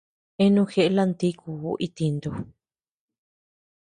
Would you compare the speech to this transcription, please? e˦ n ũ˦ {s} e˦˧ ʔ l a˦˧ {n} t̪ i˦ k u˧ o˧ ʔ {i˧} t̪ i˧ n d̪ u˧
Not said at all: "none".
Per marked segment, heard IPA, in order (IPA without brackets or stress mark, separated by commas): x, n, i˧